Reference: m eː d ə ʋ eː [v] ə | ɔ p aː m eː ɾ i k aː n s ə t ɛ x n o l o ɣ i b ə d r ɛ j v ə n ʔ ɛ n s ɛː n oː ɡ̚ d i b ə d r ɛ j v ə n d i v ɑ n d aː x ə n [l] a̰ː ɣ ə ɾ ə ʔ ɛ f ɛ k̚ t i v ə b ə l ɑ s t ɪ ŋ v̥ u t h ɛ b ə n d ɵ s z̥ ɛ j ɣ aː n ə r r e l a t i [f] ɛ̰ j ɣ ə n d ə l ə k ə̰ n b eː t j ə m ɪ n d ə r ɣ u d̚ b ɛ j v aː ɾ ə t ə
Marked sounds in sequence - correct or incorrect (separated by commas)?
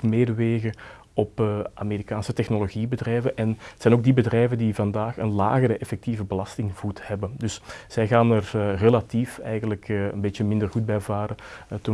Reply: incorrect, correct, correct